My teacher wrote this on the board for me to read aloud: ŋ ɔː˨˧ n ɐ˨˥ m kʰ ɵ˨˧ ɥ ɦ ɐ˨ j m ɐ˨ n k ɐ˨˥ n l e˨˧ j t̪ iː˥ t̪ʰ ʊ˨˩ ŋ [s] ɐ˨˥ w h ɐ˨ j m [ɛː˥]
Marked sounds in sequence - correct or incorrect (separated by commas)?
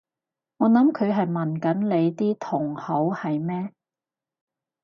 incorrect, correct